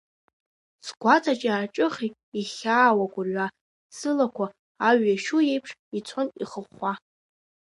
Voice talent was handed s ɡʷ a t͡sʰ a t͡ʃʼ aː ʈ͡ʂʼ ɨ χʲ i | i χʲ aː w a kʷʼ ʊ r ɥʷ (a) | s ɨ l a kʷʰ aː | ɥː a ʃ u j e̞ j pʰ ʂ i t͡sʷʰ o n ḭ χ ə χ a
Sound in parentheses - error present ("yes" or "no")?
no